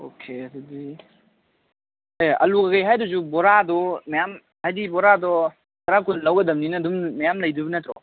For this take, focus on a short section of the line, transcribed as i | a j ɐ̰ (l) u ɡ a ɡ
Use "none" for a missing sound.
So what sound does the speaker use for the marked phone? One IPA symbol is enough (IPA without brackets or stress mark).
l